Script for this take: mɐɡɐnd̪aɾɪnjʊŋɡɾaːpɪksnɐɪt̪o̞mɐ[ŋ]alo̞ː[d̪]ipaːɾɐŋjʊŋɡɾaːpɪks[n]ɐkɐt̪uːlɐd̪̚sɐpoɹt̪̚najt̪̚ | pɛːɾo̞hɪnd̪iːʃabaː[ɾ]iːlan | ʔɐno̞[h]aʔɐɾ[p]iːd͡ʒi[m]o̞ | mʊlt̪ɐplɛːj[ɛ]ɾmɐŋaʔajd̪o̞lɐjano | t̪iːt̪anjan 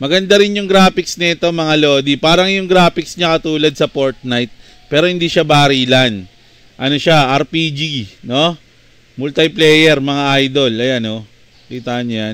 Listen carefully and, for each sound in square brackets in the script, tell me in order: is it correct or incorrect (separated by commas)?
correct, correct, incorrect, correct, incorrect, correct, incorrect, correct